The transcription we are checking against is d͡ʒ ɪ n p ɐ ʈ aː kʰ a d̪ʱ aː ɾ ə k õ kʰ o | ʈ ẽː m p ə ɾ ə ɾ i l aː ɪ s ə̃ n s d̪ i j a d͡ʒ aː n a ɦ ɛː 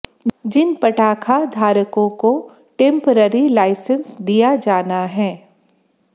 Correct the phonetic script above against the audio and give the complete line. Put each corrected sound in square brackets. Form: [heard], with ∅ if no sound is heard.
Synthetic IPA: d͡ʒ ɪ n p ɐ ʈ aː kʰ a d̪ʱ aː ɾ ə k õ [k] o | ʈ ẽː m p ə ɾ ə ɾ i l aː ɪ s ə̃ n s d̪ i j a d͡ʒ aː n a ɦ ɛː